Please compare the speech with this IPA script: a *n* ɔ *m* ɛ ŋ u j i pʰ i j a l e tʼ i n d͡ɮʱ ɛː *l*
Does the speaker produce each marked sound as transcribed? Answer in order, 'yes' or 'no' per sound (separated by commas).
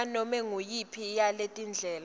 yes, yes, yes